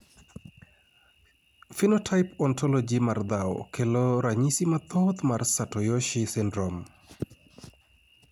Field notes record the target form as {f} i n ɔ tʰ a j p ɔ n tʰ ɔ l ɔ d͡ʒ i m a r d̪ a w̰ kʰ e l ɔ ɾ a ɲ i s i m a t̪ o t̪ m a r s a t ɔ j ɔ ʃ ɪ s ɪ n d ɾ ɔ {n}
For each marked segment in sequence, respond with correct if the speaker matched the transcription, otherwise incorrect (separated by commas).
correct, incorrect